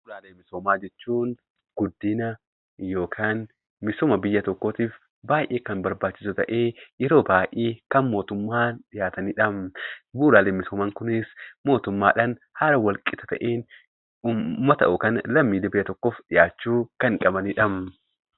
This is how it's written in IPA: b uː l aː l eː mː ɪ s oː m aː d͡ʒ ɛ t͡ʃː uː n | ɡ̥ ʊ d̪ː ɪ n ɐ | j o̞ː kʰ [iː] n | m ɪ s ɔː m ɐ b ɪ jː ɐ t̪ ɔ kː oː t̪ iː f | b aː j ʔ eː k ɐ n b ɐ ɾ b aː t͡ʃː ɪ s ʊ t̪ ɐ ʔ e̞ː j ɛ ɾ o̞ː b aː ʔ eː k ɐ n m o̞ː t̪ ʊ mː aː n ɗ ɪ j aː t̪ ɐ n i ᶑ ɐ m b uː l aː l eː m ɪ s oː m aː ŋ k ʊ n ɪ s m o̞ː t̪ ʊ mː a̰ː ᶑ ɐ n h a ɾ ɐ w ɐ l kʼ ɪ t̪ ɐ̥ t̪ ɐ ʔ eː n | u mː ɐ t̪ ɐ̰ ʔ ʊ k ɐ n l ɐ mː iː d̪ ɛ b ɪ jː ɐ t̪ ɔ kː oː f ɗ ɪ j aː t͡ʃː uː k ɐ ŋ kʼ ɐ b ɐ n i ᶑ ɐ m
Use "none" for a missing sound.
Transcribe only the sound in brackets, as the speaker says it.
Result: aː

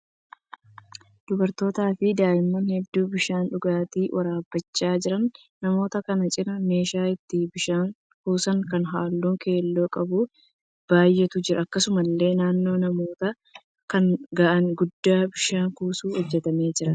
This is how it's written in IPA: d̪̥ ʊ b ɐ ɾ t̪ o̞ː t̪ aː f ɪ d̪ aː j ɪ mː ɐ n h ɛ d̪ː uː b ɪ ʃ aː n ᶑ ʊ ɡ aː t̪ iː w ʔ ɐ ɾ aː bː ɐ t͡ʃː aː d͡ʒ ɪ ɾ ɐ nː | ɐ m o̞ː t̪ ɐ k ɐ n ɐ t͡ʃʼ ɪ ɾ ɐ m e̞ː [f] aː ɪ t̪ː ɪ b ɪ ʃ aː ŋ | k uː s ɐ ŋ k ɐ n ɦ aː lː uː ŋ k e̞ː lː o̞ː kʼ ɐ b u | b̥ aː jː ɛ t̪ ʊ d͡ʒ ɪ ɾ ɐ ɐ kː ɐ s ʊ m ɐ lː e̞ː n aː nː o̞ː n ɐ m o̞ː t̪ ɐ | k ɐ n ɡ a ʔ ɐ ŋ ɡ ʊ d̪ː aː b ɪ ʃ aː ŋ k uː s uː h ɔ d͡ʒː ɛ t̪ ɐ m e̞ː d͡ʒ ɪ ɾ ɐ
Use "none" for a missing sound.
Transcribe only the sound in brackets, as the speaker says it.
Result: ʃ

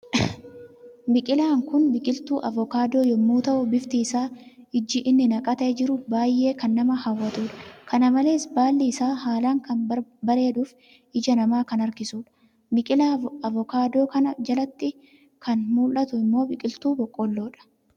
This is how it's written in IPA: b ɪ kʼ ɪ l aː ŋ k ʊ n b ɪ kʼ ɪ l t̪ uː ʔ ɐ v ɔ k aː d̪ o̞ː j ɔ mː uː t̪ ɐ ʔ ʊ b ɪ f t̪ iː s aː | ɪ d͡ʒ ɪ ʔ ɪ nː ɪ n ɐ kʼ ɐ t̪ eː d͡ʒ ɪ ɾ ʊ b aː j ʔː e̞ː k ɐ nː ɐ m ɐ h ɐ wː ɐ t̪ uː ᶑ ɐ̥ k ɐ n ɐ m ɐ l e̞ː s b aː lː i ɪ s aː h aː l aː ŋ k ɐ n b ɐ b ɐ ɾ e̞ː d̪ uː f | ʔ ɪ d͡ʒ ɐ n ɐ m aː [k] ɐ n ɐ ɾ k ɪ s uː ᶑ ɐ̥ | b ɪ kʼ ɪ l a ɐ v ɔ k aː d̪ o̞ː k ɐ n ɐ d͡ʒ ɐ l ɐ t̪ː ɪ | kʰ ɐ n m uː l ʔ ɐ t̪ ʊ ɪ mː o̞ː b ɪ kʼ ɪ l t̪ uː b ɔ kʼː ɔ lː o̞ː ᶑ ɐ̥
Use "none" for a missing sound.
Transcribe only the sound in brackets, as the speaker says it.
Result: k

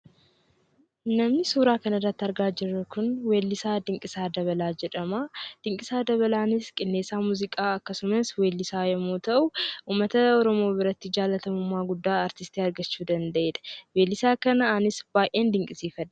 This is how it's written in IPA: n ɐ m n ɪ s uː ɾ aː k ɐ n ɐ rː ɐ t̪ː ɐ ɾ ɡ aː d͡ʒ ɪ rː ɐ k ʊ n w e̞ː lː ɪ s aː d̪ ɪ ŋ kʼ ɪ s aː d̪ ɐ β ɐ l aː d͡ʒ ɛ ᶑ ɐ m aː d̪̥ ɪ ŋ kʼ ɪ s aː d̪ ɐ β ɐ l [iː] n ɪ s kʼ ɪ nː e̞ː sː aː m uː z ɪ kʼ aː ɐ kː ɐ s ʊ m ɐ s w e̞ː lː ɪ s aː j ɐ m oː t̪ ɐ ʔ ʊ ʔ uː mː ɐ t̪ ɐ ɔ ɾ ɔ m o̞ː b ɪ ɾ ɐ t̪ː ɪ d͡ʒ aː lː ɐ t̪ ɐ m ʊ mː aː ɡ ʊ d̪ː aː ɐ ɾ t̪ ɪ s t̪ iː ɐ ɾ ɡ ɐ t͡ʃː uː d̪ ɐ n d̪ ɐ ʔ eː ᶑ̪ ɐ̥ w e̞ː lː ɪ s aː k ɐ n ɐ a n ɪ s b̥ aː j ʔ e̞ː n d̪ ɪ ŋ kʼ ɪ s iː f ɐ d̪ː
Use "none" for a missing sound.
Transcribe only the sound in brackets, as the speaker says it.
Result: aː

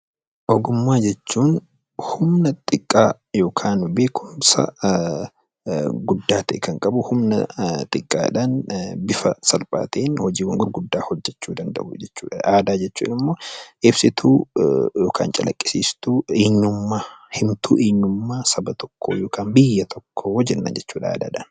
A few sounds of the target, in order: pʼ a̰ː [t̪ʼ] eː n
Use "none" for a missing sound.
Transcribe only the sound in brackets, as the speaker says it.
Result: t̪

